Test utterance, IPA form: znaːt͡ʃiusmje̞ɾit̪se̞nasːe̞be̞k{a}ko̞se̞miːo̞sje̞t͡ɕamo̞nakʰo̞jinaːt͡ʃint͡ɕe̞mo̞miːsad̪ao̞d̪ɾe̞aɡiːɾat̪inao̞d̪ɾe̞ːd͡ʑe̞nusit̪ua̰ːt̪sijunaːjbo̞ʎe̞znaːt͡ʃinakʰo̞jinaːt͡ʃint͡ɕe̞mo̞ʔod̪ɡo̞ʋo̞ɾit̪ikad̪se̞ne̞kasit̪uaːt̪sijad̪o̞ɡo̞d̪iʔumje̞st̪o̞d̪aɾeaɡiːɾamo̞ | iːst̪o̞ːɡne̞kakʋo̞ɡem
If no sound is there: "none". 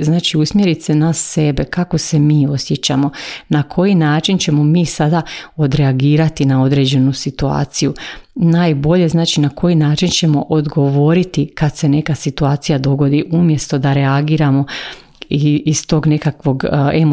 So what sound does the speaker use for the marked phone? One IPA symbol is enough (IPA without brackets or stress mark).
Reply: a